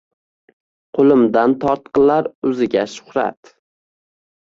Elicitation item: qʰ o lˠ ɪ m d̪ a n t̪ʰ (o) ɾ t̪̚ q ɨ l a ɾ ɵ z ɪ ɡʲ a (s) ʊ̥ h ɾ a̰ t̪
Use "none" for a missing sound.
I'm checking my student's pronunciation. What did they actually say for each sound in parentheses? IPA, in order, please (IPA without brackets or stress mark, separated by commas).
ɒ, ʃ